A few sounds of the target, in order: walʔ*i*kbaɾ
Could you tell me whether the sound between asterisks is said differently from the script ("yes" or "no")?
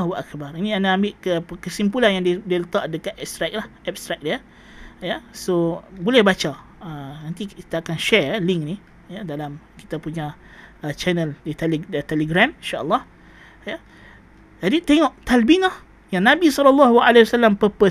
yes